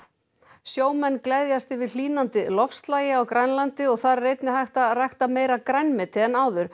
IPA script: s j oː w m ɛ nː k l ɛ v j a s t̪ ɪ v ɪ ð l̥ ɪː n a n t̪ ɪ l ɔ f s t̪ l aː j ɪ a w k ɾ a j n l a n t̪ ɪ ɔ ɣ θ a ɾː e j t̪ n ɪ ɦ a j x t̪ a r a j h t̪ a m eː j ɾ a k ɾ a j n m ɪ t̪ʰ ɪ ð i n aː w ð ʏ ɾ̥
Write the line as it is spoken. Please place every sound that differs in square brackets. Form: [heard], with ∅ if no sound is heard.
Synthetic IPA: s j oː w m ɛ nː k l ɛ [ð] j a s t̪ ɪ v ɪ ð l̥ [iː] n a n t̪ ɪ l ɔ f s t̪ l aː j ɪ a w k ɾ a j n l a n t̪ ɪ ɔ ɣ θ a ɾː e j t̪ n ɪ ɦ a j [h] t̪ a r a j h t̪ a m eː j ɾ a k ɾ a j n m ɪ t̪ʰ ɪ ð [ɛ] n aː w ð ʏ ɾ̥

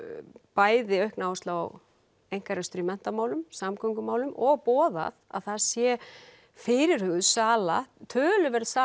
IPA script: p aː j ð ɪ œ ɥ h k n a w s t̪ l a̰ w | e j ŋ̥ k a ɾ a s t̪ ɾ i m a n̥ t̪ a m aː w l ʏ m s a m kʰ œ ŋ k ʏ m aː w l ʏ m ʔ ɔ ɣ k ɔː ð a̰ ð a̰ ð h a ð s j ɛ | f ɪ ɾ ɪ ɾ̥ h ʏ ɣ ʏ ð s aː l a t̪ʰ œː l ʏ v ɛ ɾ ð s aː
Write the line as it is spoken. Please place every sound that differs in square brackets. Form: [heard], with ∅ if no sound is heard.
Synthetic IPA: p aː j ð ɪ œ ɥ h k n a w s t̪ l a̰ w | e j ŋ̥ k a ɾ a s t̪ ɾ i m [ɛ] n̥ t̪ a m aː w l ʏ m s a m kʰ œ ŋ k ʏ m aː w l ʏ m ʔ ɔ ɣ [p] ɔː ð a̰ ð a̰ ð [θ] a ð s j ɛ | f ɪ ɾ ɪ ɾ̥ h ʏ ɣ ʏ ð s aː l a t̪ʰ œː l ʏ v ɛ ɾ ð s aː

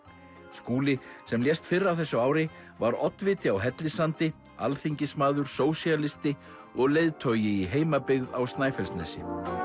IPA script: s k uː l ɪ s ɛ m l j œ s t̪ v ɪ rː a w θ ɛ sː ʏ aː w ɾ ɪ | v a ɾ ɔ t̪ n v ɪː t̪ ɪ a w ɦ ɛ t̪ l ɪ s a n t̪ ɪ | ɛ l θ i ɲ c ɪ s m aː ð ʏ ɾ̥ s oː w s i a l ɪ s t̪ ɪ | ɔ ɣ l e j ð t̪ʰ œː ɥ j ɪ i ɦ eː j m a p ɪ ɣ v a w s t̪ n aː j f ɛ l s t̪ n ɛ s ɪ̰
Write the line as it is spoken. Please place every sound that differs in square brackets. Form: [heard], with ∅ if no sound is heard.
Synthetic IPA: s k uː l ɪ s ɛ m l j [ɛ] s t̪ [f] ɪ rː a w θ ɛ sː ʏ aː w ɾ ɪ | v a ɾ ɔ t̪ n v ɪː t̪ ɪ a w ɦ ɛ t̪ l ɪ s a n t̪ ɪ | [a] l θ i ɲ c ɪ s m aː ð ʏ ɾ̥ s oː w s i a l ɪ s t̪ ɪ | ɔ ɣ l e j ð t̪ʰ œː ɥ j ɪ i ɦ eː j m a p ɪ ɣ [ð] a w s t̪ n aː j f ɛ l s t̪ n ɛ s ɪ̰

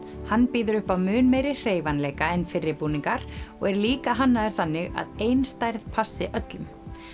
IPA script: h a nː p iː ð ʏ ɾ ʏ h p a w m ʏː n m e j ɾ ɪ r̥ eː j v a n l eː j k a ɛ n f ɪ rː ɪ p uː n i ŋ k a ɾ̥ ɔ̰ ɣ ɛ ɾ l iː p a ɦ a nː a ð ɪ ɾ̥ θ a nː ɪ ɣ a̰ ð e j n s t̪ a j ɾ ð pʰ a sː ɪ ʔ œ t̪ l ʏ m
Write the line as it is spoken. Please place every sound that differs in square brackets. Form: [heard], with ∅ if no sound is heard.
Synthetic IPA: h a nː p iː ð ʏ ɾ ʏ h p a w m ʏː n m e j ɾ ɪ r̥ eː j v a n l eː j k a ɛ n f ɪ rː ɪ p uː n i ŋ k a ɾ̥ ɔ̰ ɣ ɛ ɾ l iː [k] a ɦ a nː a ð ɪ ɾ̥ θ a nː ɪ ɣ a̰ ð e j n s t̪ a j ɾ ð pʰ a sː ɪ ʔ œ t̪ l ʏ m

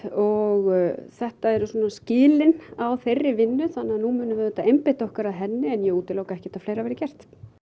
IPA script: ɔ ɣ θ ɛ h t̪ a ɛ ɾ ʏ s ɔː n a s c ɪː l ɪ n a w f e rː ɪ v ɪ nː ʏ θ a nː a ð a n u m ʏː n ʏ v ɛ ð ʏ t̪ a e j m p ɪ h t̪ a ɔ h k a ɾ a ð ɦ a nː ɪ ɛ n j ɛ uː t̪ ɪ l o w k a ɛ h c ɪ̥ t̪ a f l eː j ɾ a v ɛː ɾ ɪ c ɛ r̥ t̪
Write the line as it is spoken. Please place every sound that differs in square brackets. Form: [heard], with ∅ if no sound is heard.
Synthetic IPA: ɔ ɣ θ ɛ h t̪ a ɛ ɾ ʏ s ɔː n a s c ɪː l ɪ n a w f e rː ɪ v ɪ nː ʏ θ a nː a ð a n u m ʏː n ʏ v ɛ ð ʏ t̪ a e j m p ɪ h t̪ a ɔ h k a ɾ a ð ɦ [ɛ] nː ɪ ɛ n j ɛ uː t̪ ɪ l o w k a ɛ h c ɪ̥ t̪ a f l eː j ɾ a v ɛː ɾ ɪ c ɛ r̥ t̪

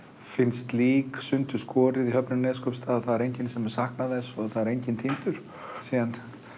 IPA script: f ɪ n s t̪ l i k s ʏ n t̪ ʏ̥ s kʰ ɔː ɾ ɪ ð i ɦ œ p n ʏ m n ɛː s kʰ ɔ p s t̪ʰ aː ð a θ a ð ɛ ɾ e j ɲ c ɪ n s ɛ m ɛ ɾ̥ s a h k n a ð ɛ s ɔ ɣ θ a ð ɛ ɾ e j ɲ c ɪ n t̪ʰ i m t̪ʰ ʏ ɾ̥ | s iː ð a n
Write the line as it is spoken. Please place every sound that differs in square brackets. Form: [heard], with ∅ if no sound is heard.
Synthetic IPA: f ɪ n s t̪ l [iː] k s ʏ n t̪ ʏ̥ s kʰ ɔː ɾ ɪ ð i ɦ œ p n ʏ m n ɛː s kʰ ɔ p s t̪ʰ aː ð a θ a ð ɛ ɾ e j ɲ c ɪ n s ɛ m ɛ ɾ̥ s a h k n a ð ɛ s ɔ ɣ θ a ð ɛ ɾ e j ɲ c ɪ n t̪ʰ i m [t̪] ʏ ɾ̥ | s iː ð a n

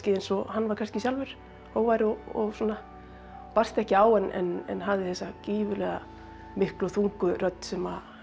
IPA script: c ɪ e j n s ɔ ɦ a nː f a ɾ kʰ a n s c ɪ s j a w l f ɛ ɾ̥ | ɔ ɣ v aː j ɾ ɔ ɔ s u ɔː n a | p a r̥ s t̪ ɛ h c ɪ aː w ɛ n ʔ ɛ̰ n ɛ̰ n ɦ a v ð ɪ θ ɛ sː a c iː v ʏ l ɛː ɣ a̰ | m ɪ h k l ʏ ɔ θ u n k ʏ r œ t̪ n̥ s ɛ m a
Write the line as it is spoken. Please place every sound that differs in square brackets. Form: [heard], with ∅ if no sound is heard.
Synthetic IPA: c ɪ e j n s ɔ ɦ a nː [v] a ɾ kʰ a n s c ɪ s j a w l [v] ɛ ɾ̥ | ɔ ɣ v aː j ɾ ɔ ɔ s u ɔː n a | p a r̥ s t̪ ɛ h c ɪ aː w ɛ n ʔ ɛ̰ n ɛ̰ n ɦ a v ð ɪ θ ɛ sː a c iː v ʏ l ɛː ɣ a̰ | m ɪ h k l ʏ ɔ θ u [ŋ] k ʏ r œ t̪ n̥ s ɛ m a

